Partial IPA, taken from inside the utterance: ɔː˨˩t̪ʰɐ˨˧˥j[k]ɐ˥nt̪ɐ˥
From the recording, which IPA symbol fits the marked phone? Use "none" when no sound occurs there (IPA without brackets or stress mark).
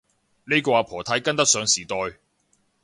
k